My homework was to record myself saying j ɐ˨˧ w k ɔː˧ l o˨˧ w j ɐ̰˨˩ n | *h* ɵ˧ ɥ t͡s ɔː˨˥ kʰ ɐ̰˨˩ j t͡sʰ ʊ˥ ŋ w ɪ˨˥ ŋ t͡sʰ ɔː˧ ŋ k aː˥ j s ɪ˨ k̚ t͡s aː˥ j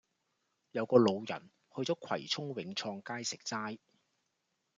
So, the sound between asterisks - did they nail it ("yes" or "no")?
yes